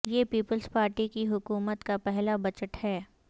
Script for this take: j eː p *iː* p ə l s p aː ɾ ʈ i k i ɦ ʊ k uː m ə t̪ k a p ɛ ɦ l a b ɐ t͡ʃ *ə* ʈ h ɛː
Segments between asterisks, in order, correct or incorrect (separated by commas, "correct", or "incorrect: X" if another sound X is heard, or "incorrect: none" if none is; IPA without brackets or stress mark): correct, correct